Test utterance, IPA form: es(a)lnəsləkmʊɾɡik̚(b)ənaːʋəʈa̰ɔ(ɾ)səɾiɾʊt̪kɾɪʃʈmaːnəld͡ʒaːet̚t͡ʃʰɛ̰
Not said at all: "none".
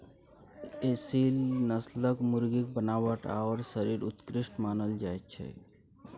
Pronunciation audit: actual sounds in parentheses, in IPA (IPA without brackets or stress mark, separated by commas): i, b, ɾ